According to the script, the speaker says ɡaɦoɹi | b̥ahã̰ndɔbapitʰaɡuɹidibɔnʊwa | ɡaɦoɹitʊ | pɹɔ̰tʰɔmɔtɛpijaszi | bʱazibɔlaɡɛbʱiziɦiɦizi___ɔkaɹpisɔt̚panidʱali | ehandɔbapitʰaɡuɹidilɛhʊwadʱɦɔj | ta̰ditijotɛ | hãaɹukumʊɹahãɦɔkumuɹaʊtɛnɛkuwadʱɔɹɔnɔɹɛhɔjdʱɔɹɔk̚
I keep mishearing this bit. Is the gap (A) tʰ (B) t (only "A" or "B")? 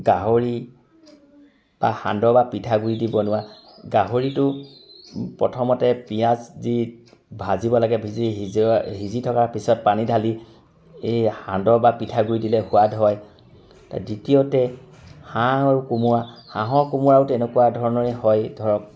A